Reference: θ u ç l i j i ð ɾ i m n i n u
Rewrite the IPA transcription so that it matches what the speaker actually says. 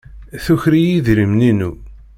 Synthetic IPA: θ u ç ɾ i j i ð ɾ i m n i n u